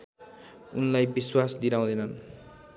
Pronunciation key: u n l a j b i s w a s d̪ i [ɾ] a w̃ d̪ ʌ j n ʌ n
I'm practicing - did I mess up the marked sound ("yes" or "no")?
no